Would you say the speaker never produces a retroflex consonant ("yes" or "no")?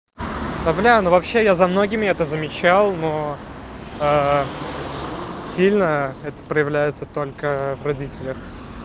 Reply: yes